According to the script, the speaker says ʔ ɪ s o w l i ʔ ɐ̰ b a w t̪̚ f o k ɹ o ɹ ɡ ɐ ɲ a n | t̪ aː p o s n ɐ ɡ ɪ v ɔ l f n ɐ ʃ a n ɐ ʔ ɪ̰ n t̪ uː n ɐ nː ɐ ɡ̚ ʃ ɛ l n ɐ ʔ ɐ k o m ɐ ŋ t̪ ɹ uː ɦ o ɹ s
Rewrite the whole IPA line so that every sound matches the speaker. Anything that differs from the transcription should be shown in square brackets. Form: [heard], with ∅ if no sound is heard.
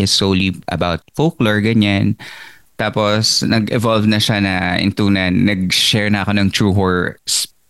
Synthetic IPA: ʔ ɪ s o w l i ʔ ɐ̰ b a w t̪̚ f o k [l] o ɹ ɡ ɐ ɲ a n | t̪ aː p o s n ɐ ɡ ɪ v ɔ l [v] n ɐ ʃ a n ɐ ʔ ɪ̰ n t̪ uː n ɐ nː ɐ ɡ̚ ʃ ɛ [ɹ] n ɐ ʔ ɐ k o [n] ɐ ŋ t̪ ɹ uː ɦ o ɹ s